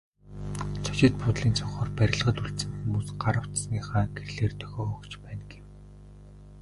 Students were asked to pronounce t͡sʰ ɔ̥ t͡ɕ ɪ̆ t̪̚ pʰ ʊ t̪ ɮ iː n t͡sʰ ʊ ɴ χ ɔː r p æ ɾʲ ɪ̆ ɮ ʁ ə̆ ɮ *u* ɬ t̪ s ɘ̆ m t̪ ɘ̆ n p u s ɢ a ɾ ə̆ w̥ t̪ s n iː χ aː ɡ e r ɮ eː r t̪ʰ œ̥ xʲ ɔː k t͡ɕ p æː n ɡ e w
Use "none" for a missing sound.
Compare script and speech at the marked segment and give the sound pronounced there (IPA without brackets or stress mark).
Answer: u